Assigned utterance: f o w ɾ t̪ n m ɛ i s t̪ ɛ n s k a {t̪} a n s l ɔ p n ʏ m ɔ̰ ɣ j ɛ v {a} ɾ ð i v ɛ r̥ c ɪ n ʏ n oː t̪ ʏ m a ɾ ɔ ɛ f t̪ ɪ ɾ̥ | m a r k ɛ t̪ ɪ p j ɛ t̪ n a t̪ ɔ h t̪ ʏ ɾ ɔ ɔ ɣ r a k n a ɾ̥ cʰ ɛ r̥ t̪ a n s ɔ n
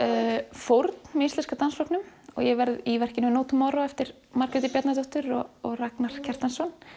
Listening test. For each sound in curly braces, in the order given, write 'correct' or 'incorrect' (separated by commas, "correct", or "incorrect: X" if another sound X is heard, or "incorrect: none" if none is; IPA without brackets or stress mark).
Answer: correct, incorrect: ɛ